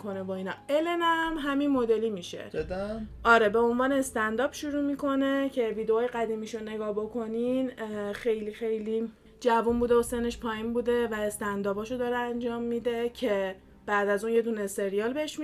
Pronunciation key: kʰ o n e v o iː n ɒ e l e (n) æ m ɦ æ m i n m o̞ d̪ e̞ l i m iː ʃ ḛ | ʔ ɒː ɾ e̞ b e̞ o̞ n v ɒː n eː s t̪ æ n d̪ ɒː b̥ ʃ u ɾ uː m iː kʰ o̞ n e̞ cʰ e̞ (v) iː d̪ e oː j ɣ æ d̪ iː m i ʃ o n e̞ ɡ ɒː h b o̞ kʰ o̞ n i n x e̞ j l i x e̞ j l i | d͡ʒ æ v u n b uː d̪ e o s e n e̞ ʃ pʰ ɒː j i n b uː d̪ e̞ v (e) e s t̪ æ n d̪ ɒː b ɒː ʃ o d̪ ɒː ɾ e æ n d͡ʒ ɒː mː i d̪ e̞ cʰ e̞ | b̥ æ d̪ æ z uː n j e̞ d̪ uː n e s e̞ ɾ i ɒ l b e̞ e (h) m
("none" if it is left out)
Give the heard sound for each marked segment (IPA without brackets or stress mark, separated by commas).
n, v, æ, ʃ